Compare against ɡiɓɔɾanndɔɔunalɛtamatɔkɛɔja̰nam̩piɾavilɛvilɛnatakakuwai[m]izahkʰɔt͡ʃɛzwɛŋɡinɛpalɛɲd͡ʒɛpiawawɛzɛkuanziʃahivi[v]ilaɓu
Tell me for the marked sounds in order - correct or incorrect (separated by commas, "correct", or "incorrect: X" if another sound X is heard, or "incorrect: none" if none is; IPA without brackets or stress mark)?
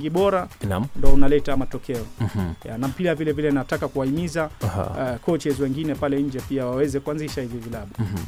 correct, correct